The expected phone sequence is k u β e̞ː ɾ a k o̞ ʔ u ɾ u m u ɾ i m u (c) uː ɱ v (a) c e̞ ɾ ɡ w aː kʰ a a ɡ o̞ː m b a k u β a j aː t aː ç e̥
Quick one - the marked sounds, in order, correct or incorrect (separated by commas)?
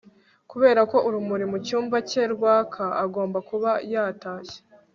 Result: correct, correct